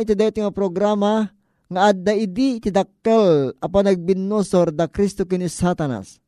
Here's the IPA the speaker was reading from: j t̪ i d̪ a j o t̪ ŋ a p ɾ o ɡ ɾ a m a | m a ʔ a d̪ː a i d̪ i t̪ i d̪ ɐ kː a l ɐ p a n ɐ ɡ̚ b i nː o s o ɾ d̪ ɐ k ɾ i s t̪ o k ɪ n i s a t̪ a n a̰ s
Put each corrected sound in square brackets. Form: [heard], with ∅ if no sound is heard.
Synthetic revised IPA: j t̪ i d̪ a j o t̪ ŋ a p ɾ o ɡ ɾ a m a | [ŋ] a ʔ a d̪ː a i d̪ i t̪ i d̪ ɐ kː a l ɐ p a n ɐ ɡ̚ b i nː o s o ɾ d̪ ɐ k ɾ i s t̪ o k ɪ n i s a t̪ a n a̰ s